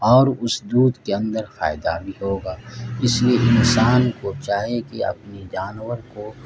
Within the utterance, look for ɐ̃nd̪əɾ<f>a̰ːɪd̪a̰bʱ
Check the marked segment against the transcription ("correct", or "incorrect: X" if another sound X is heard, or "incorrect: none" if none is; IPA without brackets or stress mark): correct